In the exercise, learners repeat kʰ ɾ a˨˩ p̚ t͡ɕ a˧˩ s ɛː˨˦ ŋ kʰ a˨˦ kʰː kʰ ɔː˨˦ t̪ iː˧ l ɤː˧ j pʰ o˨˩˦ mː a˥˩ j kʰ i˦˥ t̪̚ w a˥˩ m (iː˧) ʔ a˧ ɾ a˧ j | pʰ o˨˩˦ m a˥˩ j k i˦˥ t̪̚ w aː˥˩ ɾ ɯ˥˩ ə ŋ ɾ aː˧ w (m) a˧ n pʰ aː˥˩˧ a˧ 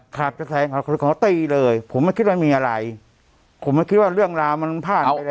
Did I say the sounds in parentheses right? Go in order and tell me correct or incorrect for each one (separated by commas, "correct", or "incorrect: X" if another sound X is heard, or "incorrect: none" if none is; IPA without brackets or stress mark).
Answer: correct, correct